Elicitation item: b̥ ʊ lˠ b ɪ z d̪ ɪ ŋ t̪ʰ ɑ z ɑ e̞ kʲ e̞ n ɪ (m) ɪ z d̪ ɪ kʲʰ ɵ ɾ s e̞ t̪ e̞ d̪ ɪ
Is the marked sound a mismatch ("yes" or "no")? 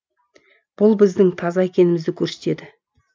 no